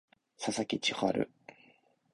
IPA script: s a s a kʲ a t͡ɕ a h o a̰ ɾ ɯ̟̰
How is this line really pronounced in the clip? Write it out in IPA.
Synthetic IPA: s a s a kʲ i t͡ɕ i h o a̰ ɾ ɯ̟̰